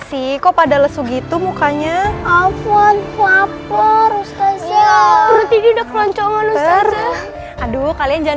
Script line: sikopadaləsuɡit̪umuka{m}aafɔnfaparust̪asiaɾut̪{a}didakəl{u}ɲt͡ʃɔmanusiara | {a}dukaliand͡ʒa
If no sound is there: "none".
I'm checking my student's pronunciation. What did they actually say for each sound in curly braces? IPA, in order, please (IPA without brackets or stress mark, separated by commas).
ɲ, i, ɔ, a